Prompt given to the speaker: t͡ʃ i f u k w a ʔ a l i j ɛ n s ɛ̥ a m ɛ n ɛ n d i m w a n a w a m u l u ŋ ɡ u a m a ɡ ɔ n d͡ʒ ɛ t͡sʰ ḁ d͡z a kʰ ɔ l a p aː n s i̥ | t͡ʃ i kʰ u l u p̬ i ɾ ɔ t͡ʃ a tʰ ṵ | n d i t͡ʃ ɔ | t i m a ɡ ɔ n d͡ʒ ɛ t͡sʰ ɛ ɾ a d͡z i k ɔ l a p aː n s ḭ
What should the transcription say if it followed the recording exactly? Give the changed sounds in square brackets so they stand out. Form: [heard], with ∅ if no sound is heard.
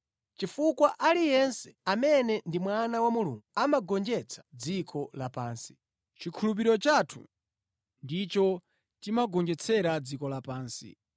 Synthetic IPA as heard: t͡ʃ i f u k w a ʔ a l i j ɛ n s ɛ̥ a m ɛ n ɛ n d i m w a n a w a m u l u ŋ ɡ u a m a ɡ ɔ n d͡ʒ ɛ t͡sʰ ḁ d͡z [i] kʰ ɔ l a p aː n s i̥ | t͡ʃ i kʰ u l u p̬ i ɾ ɔ t͡ʃ a tʰ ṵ | n d i t͡ʃ ɔ | t i m a ɡ ɔ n d͡ʒ ɛ t͡sʰ ɛ ɾ a d͡z i k ɔ l a p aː n s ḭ

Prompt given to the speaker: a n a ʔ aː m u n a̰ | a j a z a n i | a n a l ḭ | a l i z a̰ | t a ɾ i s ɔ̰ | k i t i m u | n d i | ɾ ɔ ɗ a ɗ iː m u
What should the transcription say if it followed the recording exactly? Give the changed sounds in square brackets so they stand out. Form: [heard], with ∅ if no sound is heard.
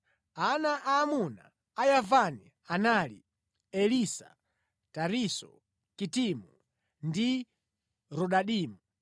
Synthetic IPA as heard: a n a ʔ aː m u n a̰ | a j a [v] a n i | a n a l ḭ | [ɛ] l i [s] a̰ | t a ɾ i s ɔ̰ | k i t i m u | n d i | ɾ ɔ ɗ a ɗ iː m u

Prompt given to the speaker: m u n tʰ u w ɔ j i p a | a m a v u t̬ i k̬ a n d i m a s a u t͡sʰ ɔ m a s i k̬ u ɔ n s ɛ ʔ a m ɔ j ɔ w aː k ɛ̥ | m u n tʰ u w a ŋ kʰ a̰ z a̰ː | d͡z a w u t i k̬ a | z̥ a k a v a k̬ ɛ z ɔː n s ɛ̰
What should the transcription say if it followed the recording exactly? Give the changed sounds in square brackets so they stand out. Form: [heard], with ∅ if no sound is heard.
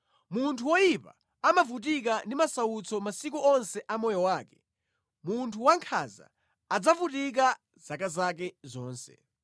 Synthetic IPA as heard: m u n tʰ u w ɔ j i p a | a m a v u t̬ i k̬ a n d i m a s a u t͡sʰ ɔ m a s i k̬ u ɔ n s ɛ ʔ a m ɔ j ɔ w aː k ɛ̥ | m u n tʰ u w a ŋ kʰ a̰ z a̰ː | d͡z a [v] u t i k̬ a | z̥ a k a [z] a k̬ ɛ z ɔː n s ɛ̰

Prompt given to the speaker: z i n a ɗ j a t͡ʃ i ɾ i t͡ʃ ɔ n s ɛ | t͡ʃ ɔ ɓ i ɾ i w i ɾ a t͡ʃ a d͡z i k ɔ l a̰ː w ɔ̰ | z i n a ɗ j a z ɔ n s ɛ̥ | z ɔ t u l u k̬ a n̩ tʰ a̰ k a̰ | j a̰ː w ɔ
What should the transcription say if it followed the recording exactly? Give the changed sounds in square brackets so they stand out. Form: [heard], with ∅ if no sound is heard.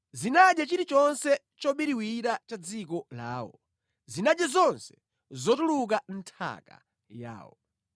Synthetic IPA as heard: z i n a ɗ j a t͡ʃ i ɾ i t͡ʃ ɔ n s ɛ | t͡ʃ ɔ ɓ i ɾ i w i ɾ a t͡ʃ a d͡z i k ɔ l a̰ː w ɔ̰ | z i n a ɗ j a z ɔ n s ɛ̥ | z ɔ t u l u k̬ a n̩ tʰ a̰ k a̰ | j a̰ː w ɔ

